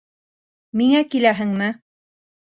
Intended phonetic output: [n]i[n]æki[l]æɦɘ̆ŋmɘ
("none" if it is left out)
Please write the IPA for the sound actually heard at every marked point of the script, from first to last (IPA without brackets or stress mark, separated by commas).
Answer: m, ŋ, l